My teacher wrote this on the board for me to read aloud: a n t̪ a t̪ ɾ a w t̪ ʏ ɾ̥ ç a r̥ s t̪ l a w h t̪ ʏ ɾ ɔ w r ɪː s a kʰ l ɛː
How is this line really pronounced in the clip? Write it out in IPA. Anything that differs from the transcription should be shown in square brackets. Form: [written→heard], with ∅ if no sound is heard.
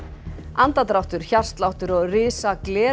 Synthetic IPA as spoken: a n t̪ a t̪ ɾ a w t̪ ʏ ɾ̥ ç a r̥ s t̪ l a w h t̪ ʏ ɾ ɔ [w→ɣ] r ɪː s a [kʰ→k] l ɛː